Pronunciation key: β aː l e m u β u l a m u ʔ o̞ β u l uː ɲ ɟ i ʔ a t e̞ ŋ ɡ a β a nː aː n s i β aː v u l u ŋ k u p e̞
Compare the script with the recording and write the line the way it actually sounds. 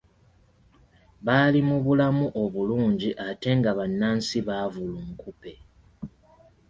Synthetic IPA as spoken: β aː l i m u β u l a m u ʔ o̞ β u l uː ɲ ɟ i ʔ a t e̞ ŋ ɡ a β a nː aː n s i β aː v u l u ŋ k u p e̞

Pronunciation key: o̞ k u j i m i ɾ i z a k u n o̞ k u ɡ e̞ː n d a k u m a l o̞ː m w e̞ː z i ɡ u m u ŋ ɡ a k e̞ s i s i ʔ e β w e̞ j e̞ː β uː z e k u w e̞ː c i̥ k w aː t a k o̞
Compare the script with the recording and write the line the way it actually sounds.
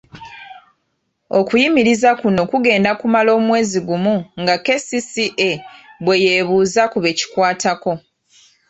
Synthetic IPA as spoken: o̞ k u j i m i ɾ i z a k u n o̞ k u ɡ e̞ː n d a k u m a l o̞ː m w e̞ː z i ɡ u m u ŋ ɡ a k e̞ s i s i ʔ e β w e̞ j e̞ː β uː z a k u β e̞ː c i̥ k w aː t a k o̞

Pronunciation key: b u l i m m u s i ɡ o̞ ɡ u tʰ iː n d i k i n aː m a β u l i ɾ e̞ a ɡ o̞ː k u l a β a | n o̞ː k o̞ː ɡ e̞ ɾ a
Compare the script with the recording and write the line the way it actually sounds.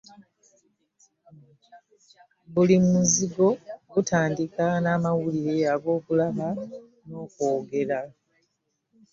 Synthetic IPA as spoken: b u l i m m u z i ɡ o̞ ɡ u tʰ aː n d i k a n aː m a w u l i ɾ e̞ a ɡ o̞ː k u l a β a | n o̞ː k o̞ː ɡ e̞ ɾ a

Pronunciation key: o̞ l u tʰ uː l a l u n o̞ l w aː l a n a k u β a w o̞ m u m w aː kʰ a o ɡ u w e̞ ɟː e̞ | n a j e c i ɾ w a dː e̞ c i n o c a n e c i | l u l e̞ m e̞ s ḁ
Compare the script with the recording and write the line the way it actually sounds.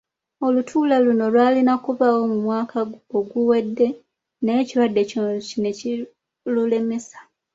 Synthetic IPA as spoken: o̞ l u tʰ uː l a l u n o̞ l w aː l i n a k u β a w o̞ m u m w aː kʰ a o ɡ u w e̞ dː e̞ | n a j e c i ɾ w a dː e̞ c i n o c i n e c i | l u l e̞ m e̞ s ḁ

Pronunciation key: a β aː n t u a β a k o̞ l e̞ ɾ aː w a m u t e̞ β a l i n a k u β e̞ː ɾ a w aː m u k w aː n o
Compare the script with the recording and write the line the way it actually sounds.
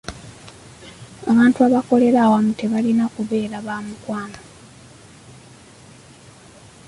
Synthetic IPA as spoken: a β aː n t u a β a k o̞ l e̞ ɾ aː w a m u t e̞ β a l i n a k u β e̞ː ɾ a β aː m u k w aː n o

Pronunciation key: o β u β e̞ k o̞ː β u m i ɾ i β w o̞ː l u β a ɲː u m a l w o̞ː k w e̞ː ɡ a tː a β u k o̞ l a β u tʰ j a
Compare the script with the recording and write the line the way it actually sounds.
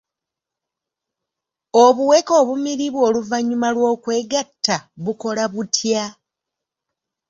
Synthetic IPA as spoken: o β u w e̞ k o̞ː β u m i ɾ i β w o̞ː l u v a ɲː u m a l w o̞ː k w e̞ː ɡ a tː a β u k o̞ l a β u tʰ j a

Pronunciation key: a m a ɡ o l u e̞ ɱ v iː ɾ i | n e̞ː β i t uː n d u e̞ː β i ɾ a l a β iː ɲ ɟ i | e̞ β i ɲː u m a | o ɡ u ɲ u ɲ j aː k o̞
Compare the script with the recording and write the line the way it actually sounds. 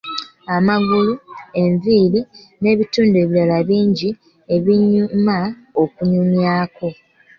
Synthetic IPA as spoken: a m a ɡ u l u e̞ ɱ v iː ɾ i | n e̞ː β i t uː n d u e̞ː β i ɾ a l a β iː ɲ ɟ i | e̞ β i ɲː u m a | o k u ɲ u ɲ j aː k o̞

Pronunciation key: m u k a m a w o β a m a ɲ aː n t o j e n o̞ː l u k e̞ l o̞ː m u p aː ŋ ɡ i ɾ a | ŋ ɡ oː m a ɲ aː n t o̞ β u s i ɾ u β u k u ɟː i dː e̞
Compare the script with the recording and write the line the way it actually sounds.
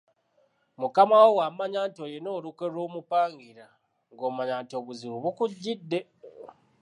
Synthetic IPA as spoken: m u k a m a w o w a m a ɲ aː n t o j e n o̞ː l u k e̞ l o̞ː m u p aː ŋ ɡ i ɾ a | ŋ ɡ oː m a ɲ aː n t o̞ β u z i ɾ u β u k u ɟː i dː e̞

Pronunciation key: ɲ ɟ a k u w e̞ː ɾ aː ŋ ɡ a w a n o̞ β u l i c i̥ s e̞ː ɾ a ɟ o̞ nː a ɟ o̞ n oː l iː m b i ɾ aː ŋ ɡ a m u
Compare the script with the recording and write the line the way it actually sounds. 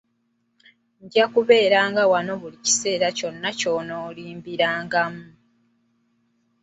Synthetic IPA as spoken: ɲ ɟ a k u β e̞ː ɾ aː ŋ ɡ a w a n o̞ β u l i c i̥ s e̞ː ɾ a c o̞ nː a c o̞ n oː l iː m b i ɾ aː ŋ ɡ a m u

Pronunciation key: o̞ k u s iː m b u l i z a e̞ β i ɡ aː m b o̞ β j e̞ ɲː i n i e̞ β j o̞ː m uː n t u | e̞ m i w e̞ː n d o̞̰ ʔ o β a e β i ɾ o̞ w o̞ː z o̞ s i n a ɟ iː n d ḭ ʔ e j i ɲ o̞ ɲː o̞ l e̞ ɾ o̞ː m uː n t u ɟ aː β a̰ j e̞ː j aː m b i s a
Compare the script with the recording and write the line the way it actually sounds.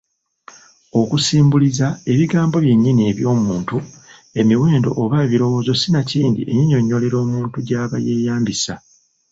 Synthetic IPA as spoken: o̞ k u s iː m b u l i z a e̞ β i ɡ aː m b o̞ β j e̞ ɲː i n i e̞ β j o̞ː m uː n t u | e̞ m i w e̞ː n d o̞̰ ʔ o β a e β i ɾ o̞ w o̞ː z o̞ s i n a c iː n d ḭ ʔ e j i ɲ o̞ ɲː o̞ l e̞ ɾ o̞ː m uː n t u ɟ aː β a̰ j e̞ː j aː m b i s a

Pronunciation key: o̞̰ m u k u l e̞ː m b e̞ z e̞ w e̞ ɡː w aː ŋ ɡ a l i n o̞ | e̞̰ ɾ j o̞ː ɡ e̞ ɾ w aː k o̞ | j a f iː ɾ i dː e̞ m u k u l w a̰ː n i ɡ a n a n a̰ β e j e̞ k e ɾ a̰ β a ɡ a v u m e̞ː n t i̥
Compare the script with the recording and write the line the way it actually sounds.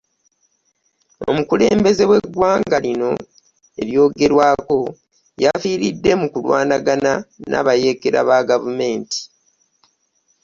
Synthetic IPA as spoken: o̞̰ m u k u l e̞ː m b e̞ z e̞ w e̞ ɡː w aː ŋ ɡ a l i n o̞ | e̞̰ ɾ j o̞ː ɡ e̞ ɾ w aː k o̞ | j a f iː ɾ i dː e̞ m u k u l w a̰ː n a ɡ a n a n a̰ β a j e̞ k e ɾ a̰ β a ɡ a v u m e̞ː n t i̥

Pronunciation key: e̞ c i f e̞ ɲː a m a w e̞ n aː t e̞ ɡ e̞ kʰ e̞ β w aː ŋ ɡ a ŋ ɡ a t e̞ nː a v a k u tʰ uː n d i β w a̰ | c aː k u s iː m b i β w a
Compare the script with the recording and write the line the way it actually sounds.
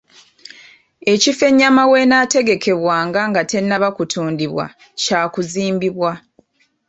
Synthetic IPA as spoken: e̞ c i f e̞ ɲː a m a w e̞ n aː t e̞ ɡ e̞ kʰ e̞ β w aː ŋ ɡ a ŋ ɡ a t e̞ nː a β a k u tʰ uː n d i β w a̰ | c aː k u z iː m b i β w a

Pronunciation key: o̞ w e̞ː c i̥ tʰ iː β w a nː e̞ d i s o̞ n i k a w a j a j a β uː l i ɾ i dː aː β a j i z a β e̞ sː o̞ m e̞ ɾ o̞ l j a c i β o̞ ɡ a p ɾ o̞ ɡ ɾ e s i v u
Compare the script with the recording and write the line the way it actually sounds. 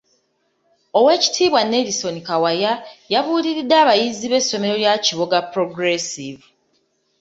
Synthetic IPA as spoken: o̞ w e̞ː c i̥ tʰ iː β w a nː e̞ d i s o̞ n i k a w a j a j a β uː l i ɾ i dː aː β a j i z i β e̞ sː o̞ m e̞ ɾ o̞ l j a c i β o̞ ɡ a p ɾ o̞ ɡ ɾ e s i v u

